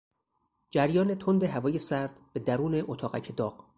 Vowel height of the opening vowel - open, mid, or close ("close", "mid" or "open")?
open